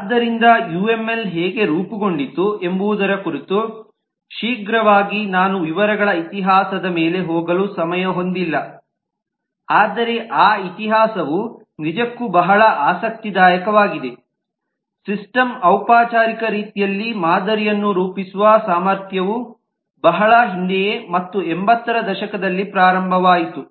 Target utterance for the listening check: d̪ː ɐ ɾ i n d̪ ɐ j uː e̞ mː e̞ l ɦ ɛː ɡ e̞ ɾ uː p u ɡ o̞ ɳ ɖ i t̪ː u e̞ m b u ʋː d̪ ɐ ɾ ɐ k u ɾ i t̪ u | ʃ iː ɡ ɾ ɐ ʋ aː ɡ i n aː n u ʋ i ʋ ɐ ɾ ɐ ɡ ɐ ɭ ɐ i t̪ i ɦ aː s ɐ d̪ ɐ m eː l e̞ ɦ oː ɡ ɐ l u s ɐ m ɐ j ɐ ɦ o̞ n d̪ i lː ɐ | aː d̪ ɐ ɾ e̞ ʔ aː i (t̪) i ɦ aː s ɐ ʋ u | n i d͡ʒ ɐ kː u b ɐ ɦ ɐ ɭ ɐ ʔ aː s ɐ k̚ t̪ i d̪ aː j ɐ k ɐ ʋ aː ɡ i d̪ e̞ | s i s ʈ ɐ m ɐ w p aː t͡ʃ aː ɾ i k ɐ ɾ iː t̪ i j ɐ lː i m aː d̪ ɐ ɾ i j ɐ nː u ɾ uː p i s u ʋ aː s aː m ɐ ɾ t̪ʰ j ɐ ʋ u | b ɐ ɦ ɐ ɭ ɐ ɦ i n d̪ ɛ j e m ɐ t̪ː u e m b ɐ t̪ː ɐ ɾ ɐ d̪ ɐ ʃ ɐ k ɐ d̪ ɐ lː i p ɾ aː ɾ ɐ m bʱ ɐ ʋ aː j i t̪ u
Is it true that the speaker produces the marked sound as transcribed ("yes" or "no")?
yes